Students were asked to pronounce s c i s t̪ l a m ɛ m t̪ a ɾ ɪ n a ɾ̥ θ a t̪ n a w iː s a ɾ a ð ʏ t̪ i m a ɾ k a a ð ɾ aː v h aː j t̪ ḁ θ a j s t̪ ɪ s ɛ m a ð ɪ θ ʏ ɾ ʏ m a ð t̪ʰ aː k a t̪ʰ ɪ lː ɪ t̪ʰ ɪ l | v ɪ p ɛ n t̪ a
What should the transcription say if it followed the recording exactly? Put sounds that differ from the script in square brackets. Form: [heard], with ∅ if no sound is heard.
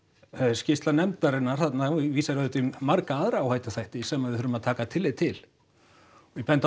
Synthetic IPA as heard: s c [ɪ] s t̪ l a [n] ɛ m t̪ a ɾ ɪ n a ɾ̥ θ a t̪ n a [v] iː s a ɾ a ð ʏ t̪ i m a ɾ k a a ð ɾ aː [w] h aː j t̪ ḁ θ a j [h] t̪ ɪ s ɛ m a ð ɪ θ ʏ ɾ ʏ m a ð t̪ʰ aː k a t̪ʰ ɪ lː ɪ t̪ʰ ɪ l | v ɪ p ɛ n t̪ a

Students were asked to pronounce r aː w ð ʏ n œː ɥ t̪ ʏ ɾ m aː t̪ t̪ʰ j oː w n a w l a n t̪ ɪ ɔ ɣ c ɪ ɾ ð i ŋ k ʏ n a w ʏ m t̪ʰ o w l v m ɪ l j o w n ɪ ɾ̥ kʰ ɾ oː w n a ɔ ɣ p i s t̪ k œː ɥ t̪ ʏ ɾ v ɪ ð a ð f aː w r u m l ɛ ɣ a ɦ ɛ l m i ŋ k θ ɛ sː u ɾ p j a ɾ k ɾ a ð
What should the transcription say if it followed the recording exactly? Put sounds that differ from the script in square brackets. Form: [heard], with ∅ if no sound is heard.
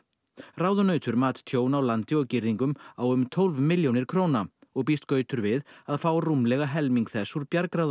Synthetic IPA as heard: r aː w ð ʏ n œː ɥ t̪ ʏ ɾ m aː t̪ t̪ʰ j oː w n a w l a n t̪ ɪ ɔ ɣ c ɪ ɾ ð i ŋ k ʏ [m] a w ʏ m t̪ʰ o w l v m ɪ l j o w n ɪ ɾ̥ kʰ ɾ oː w n a ɔ ɣ p i s t̪ k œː ɥ t̪ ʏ ɾ v ɪ ð a ð f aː w r u m l ɛ ɣ a ɦ ɛ l m i ŋ k θ ɛ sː u ɾ p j a ɾ k ɾ a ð

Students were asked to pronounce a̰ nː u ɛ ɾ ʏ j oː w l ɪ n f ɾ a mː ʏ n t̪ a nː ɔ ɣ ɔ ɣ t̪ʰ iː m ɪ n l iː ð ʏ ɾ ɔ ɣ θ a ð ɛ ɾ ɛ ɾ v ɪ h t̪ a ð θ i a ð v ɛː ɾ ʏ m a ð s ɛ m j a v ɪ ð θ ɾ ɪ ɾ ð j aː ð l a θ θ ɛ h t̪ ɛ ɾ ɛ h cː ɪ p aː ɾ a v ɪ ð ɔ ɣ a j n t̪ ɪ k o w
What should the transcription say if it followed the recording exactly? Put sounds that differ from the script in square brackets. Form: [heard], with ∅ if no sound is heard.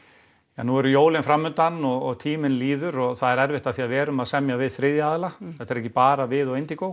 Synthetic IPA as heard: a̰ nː u ɛ ɾ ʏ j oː w l ɪ n f ɾ a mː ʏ n t̪ a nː ɔ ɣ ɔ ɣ t̪ʰ iː m ɪ n l iː ð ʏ ɾ ɔ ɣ θ a ð ɛ ɾ ɛ ɾ v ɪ h t̪ a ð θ i a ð v ɛː ɾ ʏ m a ð s ɛ m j a v ɪ ð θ ɾ ɪ [∅] ð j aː ð l a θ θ ɛ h t̪ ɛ ɾ ɛ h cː ɪ p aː ɾ a v ɪ ð ɔ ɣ [e] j n t̪ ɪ k o w

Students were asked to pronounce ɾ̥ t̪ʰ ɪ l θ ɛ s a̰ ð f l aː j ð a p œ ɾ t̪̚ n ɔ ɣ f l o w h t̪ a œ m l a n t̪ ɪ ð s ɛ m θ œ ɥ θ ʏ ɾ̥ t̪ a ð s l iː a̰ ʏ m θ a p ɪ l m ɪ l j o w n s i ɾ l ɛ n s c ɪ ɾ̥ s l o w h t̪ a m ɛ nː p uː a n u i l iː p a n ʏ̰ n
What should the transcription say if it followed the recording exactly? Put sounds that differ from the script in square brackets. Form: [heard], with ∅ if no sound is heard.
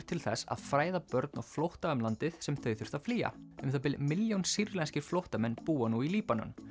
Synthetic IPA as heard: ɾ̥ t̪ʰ ɪ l θ ɛ s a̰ ð f [ɾ] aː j ð a p œ ɾ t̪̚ n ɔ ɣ f l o w h t̪ a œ m l a n t̪ ɪ ð s ɛ m θ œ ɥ θ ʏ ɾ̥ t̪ a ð [f] l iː a̰ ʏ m θ a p ɪ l m ɪ l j o w n s i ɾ l ɛ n s c ɪ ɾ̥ [f] l o w h t̪ a m ɛ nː p uː a n u i l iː p a n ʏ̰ n

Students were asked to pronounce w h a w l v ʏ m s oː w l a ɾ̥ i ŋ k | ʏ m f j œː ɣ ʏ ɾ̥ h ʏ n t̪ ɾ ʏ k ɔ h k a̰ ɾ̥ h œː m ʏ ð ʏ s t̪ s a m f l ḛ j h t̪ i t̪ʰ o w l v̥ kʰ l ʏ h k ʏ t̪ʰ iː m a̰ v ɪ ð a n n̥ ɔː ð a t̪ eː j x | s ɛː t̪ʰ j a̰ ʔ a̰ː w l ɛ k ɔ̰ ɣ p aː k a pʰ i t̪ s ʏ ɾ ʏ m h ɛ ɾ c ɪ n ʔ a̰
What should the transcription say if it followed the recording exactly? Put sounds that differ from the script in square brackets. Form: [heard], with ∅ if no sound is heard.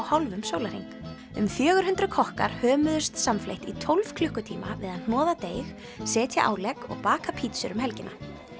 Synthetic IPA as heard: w h a w l v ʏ m s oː w l a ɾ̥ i ŋ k | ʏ m f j œː ɣ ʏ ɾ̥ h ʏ n t̪ ɾ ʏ [kʰ] ɔ h k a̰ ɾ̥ h œː m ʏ ð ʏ s t̪ s a m f l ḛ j h t̪ i t̪ʰ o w l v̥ kʰ l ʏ h k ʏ t̪ʰ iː m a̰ v ɪ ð a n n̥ ɔː ð a t̪ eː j x | s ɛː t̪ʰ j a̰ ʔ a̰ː w l ɛ k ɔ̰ ɣ p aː k a pʰ i t̪ s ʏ ɾ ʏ m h ɛ [l] c ɪ n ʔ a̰

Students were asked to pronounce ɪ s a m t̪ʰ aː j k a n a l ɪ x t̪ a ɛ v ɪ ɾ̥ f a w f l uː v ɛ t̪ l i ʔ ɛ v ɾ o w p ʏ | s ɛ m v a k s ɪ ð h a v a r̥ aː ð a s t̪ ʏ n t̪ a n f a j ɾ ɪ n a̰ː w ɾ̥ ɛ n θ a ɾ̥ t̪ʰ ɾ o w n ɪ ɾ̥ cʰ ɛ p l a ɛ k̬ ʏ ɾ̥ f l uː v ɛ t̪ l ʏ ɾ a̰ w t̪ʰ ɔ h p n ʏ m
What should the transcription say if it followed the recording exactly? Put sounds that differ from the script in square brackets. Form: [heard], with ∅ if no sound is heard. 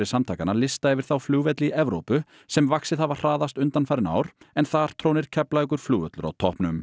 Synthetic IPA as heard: ɪ s a m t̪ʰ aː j k a n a l ɪ [s] t̪ a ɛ v ɪ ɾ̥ [θ] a w f l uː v ɛ t̪ l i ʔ ɛ v ɾ o w p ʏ | s ɛ m v a k s ɪ ð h a v a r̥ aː ð a s t̪ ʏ n t̪ a n f a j ɾ ɪ n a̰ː w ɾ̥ ɛ n θ a ɾ̥ t̪ʰ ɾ o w n ɪ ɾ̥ cʰ ɛ p l a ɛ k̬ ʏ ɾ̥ f l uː v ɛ t̪ l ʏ ɾ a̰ w t̪ʰ ɔ h p n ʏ m

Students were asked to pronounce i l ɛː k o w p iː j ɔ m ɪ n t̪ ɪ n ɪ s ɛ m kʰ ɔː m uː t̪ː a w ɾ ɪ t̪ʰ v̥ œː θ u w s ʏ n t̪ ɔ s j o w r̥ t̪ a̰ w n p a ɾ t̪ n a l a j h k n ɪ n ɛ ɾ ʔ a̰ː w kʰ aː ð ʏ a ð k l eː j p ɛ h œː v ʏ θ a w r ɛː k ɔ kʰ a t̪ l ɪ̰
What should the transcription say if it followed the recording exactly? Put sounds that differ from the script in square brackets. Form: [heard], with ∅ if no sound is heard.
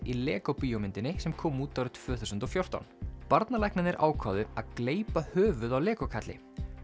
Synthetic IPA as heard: i l ɛː k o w p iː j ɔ m ɪ n t̪ ɪ n ɪ s ɛ m kʰ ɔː m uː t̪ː a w ɾ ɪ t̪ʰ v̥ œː θ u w s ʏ n t̪ ɔ [f] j o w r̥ t̪ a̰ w n p a ɾ t̪ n a l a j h k n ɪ n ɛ ɾ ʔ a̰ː w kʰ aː ð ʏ a ð k l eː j p [a] h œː v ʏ [ð] a w [l] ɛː k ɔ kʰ a t̪ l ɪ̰

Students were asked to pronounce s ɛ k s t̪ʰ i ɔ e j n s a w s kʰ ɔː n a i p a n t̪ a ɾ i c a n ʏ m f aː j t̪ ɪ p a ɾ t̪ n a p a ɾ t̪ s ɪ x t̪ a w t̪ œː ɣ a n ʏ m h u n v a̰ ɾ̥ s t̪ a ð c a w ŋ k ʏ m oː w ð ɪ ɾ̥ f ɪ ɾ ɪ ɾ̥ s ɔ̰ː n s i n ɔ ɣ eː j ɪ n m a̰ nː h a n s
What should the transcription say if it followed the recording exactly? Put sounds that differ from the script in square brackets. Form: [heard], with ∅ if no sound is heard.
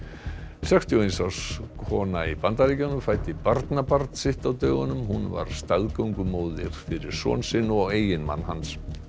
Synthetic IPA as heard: s ɛ k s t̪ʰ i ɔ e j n s a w s kʰ ɔː n a i p a n t̪ a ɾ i c a n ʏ m f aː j t̪ ɪ p a ɾ t̪ n a p a ɾ t̪ s ɪ [h] t̪ a w t̪ œː ɣ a n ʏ m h u n v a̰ ɾ̥ s t̪ a ð [k] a w ŋ k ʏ m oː w ð ɪ ɾ̥ f ɪ ɾ ɪ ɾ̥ s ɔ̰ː n s [ɪ] n ɔ ɣ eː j ɪ n m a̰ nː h a n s

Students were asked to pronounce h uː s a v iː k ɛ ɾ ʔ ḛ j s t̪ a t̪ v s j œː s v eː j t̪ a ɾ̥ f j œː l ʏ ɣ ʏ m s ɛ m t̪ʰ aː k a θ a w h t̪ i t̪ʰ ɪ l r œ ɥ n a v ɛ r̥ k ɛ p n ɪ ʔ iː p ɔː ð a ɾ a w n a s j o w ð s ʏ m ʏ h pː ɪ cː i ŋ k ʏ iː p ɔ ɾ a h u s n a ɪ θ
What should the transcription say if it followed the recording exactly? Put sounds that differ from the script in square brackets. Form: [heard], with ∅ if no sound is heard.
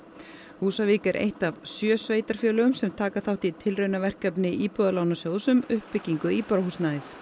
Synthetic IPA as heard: h uː s a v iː k ɛ ɾ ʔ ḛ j [h] t̪ a [∅] v s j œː s v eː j t̪ a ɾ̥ f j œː l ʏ ɣ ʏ m s ɛ m t̪ʰ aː k a θ a w h t̪ i t̪ʰ ɪ l r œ ɥ n a v ɛ r̥ k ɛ p n ɪ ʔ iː p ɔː ð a [l] a w n a s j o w ð s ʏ m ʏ h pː ɪ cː i ŋ k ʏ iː p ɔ ɾ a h u s n a ɪ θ

